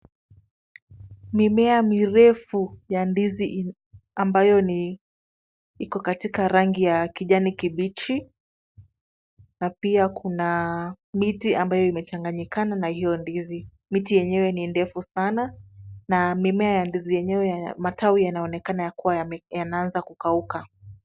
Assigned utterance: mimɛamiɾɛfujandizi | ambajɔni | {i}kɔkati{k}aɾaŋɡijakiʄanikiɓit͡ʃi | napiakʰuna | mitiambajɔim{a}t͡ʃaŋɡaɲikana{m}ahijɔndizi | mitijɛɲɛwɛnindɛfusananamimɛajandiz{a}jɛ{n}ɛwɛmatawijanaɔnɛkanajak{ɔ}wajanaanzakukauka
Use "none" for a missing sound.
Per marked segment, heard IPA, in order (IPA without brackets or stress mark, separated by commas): i, k, ɛ, n, i, ɲ, u